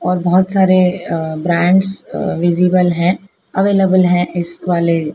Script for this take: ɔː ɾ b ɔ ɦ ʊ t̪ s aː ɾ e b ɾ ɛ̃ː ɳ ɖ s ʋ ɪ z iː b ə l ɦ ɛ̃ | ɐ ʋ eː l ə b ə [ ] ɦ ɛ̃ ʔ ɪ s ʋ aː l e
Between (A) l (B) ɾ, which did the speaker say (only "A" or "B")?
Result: A